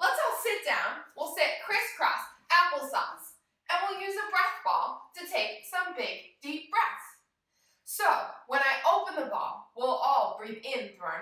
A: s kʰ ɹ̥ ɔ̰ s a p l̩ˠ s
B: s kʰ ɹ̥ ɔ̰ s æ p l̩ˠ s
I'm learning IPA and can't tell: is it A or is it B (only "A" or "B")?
B